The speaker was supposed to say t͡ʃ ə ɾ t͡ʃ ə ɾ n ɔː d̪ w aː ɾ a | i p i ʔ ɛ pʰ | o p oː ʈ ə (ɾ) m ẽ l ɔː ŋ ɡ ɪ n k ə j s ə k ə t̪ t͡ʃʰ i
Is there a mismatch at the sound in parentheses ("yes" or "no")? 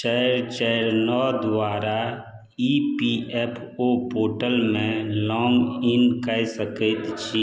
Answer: yes